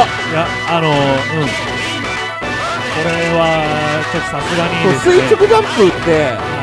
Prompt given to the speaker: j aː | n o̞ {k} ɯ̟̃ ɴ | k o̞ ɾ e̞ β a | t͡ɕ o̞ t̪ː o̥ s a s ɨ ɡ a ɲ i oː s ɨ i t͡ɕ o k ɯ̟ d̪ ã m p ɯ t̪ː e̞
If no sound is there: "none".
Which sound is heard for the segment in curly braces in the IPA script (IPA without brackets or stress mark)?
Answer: none